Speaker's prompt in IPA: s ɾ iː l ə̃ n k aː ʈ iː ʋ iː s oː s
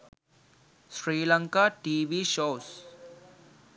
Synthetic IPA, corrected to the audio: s ɾ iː l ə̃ ŋ k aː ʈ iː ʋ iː ʃ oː s